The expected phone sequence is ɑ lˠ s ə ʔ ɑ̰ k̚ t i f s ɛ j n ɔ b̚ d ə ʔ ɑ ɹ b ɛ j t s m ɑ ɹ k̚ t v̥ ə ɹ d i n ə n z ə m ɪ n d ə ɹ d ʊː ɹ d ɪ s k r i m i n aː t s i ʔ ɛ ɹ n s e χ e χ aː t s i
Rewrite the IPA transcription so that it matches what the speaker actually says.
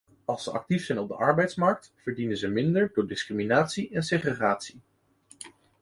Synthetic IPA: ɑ lˠ s ə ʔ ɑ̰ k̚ t i f s ɛ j n ɔ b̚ d ə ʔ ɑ ɹ b ɛ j t s m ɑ ɹ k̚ t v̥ ə ɹ d i n ə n z ə m ɪ n d ə ɹ d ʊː ɹ d ɪ s k r i m i n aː t s i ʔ ɛ n s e χ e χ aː t s i